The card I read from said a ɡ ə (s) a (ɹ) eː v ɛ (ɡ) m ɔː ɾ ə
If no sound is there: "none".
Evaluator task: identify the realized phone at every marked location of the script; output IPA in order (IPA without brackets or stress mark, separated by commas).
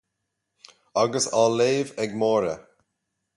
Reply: s, l, ɡ